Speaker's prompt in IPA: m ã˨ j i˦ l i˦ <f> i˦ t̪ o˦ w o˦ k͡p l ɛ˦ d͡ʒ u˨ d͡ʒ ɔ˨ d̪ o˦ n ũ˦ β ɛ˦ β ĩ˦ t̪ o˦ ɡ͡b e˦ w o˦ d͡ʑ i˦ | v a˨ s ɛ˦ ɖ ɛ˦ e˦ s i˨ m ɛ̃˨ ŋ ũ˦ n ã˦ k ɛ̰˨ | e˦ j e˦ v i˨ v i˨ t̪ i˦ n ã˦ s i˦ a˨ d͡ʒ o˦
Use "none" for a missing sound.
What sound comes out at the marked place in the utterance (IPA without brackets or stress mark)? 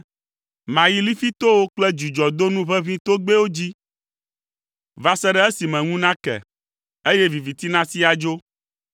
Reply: f